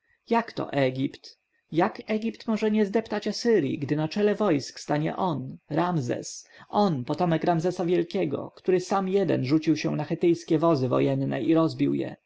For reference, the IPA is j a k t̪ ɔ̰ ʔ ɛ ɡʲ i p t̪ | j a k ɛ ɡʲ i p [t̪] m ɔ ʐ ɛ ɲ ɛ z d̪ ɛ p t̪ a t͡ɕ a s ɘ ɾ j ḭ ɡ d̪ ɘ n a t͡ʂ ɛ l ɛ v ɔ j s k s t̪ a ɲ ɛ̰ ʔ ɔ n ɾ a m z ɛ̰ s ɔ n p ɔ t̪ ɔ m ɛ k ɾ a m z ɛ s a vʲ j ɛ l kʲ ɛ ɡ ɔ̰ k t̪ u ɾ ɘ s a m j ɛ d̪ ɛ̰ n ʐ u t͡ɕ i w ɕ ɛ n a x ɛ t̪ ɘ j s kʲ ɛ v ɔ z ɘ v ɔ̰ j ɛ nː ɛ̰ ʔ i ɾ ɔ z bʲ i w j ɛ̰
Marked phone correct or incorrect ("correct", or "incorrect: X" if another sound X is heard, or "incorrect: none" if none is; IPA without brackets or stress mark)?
correct